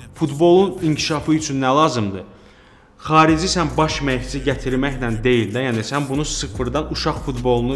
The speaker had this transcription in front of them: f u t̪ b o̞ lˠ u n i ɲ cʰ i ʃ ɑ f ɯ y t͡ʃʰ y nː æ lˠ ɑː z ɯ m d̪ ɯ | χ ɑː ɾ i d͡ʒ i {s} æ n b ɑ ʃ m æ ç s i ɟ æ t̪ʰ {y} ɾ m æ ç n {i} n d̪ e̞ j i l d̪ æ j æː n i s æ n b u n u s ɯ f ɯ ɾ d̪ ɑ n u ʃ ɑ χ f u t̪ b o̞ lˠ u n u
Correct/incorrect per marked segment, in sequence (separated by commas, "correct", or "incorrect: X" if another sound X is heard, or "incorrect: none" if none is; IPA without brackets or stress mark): correct, incorrect: i, incorrect: æ